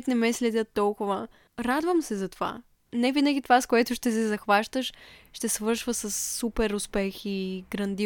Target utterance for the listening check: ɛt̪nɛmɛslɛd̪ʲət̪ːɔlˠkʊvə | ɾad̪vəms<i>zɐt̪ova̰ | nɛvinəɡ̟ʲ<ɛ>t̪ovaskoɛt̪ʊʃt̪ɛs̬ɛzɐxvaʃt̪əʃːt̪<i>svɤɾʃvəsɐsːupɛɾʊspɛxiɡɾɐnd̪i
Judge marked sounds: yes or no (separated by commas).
no, no, no